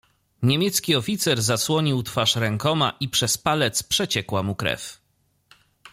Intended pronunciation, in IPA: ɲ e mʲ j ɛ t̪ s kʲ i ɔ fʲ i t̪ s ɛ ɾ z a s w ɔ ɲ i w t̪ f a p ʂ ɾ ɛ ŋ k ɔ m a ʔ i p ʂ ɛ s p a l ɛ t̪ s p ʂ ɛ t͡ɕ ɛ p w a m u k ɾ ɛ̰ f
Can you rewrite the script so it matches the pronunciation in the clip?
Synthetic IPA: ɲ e mʲ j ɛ t̪ s kʲ i ɔ fʲ i t̪ s ɛ ɾ z a s w ɔ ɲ i w t̪ f a ʂ ɾ ɛ ŋ k ɔ m a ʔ i p ʂ ɛ s p a l ɛ t̪ s p ʂ ɛ t͡ɕ ɛ k w a m u k ɾ ɛ̰ f